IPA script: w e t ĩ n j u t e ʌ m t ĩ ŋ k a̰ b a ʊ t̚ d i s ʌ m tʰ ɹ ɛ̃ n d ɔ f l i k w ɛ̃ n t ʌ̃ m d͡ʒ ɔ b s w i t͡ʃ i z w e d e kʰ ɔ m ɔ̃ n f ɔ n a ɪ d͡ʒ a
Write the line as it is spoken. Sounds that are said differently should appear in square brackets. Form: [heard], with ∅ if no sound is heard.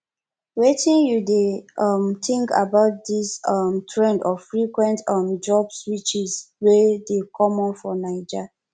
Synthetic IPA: w e t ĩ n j u [d] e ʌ m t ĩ ŋ k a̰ b a ʊ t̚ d i s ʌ m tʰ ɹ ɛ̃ n d ɔ f [ɹ] i k w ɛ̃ n t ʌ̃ m d͡ʒ ɔ b s w i t͡ʃ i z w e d e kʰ ɔ m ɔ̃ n f ɔ n a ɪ d͡ʒ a